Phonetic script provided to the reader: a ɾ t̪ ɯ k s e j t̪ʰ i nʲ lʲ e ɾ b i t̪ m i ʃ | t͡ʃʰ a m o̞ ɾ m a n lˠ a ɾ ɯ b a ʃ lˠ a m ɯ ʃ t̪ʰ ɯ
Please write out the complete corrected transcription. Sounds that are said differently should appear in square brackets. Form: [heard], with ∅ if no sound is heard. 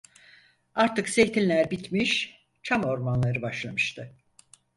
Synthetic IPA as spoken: a ɾ t̪ ɯ k s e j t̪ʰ i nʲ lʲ [æ] ɾ b i t̪ m i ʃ | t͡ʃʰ a m o̞ ɾ m a n lˠ a ɾ ɯ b a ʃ lˠ a m ɯ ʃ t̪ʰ ɯ